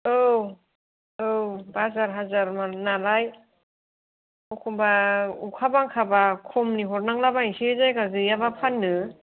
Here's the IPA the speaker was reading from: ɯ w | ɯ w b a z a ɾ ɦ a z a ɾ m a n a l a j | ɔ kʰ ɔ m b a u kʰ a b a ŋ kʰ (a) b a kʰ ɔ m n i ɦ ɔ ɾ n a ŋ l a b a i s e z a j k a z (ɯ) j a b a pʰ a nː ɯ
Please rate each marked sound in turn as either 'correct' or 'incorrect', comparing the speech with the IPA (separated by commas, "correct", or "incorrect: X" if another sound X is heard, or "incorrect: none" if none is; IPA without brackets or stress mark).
correct, correct